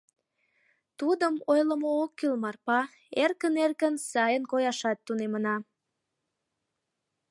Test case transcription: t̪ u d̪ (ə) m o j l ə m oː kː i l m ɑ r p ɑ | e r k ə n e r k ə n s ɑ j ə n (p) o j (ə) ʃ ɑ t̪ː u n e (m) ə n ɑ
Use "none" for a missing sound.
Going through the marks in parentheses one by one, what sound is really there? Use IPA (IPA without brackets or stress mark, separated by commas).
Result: ə, k, ɑ, m